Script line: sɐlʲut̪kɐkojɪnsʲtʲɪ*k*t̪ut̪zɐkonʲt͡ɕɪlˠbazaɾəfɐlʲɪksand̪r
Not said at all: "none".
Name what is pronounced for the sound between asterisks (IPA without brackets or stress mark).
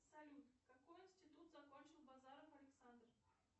none